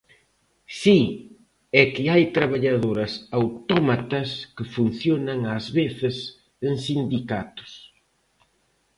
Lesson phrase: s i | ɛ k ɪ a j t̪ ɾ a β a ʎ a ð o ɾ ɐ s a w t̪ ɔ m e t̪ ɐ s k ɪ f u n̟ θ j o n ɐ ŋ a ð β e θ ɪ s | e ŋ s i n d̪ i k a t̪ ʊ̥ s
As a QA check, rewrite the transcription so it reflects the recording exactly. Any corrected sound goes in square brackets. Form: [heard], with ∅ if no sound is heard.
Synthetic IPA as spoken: s i | ɛ k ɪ a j t̪ ɾ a β a ʎ a ð o ɾ ɐ s a w t̪ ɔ m [a] t̪ ɐ s k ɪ f u n̟ θ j o n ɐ ŋ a [z] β e θ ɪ s | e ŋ s i n d̪ i k a t̪ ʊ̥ s